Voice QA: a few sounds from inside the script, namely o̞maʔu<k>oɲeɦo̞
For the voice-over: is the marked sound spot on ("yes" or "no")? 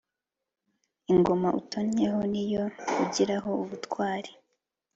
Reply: no